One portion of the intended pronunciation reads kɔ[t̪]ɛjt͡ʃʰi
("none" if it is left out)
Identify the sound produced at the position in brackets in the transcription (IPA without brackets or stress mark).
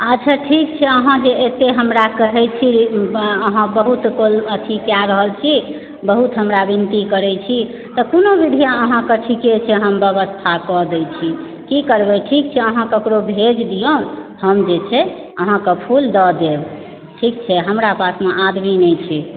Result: d̪